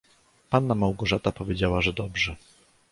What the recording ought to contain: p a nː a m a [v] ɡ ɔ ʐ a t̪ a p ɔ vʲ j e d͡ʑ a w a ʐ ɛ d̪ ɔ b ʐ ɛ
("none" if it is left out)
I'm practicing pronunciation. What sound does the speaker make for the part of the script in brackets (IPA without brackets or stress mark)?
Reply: w